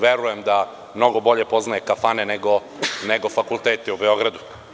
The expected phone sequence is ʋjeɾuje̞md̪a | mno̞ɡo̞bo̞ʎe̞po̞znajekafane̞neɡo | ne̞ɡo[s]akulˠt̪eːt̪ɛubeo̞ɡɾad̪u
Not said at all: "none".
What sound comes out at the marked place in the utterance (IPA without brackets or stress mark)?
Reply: f